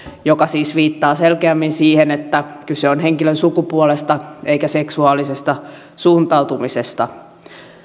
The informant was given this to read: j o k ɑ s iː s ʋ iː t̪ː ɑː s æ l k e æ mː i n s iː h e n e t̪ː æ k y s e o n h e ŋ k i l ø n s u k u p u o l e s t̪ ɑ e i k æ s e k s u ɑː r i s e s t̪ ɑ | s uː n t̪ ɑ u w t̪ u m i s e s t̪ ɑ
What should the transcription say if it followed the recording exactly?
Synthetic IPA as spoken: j o k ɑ s iː s ʋ iː t̪ː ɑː s e l k e æ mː i n s iː h e n e t̪ː æ k y s e o n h e ŋ k i l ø n s u k u p u o l e s t̪ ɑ e i k æ s e k s u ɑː l i s e s t̪ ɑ | s uː n t̪ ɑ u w t̪ u m i s e s t̪ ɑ